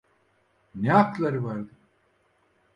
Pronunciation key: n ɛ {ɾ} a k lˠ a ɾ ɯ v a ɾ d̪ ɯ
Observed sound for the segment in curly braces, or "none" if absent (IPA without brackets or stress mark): none